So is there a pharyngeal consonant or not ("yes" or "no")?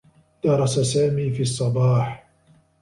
yes